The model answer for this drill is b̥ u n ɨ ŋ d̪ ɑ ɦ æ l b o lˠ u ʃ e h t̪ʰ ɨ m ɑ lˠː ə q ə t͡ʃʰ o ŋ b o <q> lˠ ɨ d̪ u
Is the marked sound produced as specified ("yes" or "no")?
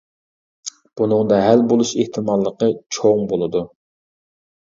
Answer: no